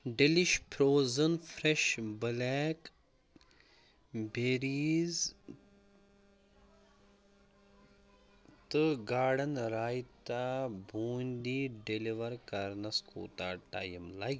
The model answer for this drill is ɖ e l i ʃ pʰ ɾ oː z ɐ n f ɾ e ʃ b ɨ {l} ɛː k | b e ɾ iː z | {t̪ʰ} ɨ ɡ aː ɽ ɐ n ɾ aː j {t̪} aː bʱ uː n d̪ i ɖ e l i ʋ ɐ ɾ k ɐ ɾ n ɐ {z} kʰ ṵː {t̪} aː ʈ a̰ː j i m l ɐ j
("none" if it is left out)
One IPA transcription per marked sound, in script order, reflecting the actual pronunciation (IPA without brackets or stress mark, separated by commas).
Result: l, t̪, t̪, s, t̪